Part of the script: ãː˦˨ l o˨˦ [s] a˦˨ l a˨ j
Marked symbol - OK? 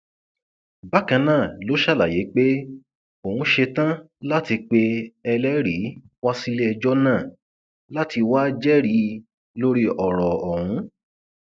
no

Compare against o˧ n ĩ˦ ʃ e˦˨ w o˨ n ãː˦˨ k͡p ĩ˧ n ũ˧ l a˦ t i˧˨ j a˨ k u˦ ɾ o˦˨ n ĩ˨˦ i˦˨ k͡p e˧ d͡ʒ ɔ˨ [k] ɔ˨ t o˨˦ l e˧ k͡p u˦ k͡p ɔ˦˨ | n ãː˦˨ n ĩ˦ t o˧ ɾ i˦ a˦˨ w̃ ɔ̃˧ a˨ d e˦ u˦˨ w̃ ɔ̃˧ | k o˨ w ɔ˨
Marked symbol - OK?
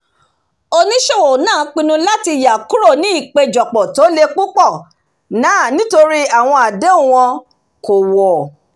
no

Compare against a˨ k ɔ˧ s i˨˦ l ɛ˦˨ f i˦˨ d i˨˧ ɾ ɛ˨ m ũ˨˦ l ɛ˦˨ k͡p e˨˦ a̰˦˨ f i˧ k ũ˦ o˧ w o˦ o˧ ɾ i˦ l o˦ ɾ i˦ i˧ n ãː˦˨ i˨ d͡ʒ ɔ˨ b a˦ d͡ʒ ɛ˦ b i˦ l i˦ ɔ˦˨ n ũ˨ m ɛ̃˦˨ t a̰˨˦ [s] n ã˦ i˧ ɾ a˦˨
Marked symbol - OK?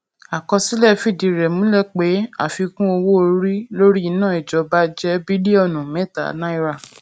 no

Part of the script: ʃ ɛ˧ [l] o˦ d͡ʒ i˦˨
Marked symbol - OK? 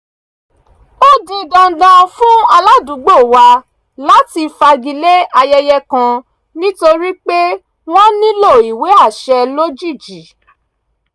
yes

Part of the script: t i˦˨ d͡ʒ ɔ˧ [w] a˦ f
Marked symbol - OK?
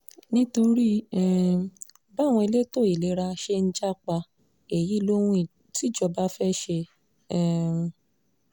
no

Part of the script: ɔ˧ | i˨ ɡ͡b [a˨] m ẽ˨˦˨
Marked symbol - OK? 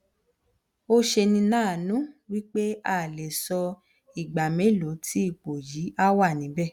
yes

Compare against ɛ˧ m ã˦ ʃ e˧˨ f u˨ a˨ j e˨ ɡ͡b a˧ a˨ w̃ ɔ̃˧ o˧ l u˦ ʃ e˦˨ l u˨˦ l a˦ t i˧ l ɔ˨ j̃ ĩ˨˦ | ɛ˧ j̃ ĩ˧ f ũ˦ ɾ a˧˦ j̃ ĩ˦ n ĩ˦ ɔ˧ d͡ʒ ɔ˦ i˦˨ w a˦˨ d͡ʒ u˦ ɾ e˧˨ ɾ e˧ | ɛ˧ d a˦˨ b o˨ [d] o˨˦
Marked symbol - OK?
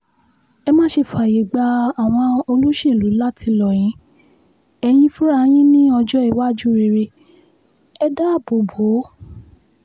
no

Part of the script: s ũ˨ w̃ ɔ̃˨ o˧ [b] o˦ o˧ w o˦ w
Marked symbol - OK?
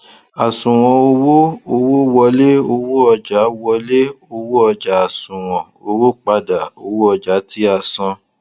no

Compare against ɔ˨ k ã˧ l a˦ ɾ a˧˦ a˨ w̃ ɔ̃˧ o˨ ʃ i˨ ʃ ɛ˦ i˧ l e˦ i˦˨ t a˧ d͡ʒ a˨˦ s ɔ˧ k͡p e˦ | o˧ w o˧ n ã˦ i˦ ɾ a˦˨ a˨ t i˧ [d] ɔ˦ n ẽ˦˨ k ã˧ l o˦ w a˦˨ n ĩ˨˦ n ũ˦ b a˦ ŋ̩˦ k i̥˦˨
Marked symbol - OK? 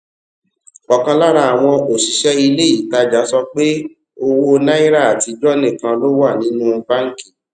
no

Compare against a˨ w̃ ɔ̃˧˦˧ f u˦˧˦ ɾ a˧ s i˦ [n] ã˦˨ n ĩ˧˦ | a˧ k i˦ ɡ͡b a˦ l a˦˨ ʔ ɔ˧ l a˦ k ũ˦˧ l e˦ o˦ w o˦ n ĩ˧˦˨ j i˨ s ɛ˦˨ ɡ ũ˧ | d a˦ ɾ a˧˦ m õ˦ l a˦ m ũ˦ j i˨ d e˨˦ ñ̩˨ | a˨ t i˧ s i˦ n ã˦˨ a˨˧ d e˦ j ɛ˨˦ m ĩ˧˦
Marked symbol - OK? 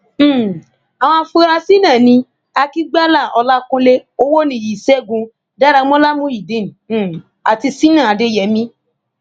yes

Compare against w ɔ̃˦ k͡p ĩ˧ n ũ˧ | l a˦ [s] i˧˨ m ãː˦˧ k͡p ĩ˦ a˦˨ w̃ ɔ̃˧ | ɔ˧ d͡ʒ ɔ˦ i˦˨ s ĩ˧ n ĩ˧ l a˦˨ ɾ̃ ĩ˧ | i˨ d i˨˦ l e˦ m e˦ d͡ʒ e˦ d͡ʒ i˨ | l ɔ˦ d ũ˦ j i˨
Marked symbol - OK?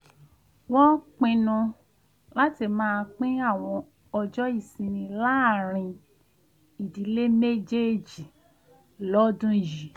no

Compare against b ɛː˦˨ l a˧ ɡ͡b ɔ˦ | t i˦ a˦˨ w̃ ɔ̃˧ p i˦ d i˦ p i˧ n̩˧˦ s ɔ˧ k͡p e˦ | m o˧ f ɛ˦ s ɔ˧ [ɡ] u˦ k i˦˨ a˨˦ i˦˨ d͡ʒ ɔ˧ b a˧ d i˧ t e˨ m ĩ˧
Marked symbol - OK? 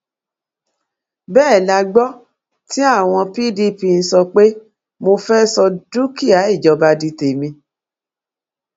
no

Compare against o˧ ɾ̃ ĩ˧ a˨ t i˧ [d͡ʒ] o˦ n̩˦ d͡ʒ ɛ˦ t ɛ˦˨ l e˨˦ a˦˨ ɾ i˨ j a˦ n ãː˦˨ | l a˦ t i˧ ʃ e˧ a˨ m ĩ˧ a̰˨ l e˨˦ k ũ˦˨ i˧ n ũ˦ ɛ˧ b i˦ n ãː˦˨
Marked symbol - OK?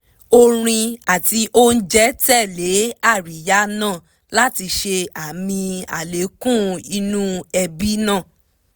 no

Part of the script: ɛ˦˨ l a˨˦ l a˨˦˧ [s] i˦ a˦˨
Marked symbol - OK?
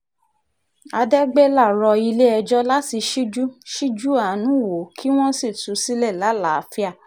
no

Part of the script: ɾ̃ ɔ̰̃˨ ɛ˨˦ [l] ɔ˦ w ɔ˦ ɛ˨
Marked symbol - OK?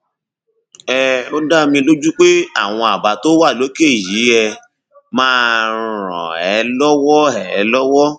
yes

